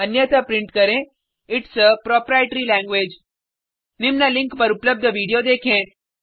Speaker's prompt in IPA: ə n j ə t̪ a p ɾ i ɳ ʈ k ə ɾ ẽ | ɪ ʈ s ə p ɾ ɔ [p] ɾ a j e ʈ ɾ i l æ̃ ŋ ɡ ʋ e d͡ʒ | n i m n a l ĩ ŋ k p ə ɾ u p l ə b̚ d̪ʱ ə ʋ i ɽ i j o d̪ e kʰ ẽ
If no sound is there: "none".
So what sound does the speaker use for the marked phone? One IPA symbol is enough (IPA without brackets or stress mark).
p